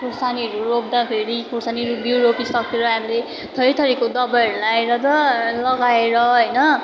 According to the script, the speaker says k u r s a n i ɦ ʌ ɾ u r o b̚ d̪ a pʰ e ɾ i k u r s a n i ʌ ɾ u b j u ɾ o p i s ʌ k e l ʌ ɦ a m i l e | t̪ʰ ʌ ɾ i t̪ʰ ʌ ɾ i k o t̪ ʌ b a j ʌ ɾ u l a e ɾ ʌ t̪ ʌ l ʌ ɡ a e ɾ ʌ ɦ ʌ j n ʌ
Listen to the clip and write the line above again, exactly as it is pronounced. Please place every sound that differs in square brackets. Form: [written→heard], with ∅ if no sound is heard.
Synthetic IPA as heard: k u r s a n i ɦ ʌ ɾ u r o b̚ d̪ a pʰ e ɾ i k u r s a n i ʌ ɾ u b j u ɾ o p i s ʌ k e [l→ɾ] ʌ ɦ a m i l e | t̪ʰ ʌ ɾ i t̪ʰ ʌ ɾ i k o [t̪→d̪] ʌ b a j ʌ ɾ u l a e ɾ ʌ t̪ ʌ l ʌ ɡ a e ɾ ʌ ɦ ʌ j n ʌ